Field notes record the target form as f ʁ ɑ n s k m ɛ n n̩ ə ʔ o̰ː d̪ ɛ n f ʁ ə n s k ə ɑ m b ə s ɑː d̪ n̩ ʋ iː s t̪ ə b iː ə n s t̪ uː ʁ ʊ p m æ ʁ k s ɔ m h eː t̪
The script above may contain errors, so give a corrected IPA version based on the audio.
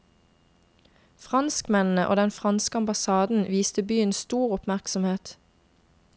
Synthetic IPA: f ʁ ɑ n s k m ɛ n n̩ ə ʔ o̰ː d̪ ɛ n f ʁ ɑ n s k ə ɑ m b ɑ s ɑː d̪ n̩ ʋ iː s t̪ ə b yː ə n s t̪ uː ʁ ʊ p m æ ʁ k s ɔ m h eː t̪